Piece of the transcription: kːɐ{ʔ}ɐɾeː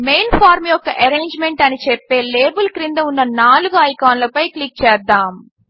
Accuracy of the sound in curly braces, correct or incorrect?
correct